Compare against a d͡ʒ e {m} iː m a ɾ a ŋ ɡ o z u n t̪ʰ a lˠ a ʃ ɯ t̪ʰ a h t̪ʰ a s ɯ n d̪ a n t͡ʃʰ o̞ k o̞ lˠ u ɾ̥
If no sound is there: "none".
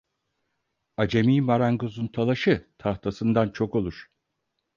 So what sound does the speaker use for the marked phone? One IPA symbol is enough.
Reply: m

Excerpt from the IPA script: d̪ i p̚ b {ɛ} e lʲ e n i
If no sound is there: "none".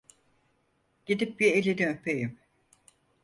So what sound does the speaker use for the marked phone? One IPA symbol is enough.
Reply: i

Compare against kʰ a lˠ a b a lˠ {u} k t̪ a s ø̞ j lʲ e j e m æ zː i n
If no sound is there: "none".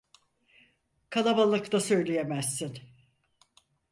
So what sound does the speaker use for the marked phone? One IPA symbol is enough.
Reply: ɯ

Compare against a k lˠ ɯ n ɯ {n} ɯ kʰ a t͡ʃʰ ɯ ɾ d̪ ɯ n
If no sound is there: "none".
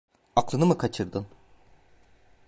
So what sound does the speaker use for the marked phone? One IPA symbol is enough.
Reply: m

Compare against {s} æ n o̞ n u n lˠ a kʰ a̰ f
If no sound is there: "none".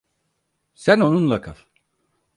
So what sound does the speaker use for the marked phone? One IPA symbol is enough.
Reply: s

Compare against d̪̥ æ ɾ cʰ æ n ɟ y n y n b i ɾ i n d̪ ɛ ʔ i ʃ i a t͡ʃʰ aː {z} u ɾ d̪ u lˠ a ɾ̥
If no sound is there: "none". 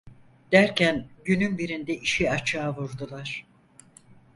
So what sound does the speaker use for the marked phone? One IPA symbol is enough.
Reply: v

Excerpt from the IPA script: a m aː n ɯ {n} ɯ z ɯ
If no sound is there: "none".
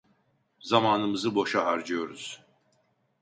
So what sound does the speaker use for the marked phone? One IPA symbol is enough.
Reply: m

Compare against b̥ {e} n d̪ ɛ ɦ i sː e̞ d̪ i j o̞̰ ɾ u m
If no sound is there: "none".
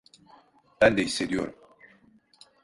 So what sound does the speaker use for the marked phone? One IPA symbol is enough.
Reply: æ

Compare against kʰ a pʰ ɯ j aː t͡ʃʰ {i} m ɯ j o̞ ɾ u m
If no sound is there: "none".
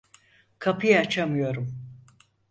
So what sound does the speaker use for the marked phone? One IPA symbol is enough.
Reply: a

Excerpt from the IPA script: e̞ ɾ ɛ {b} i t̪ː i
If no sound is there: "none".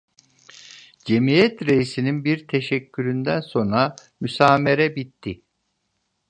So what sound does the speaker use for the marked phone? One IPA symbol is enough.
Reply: b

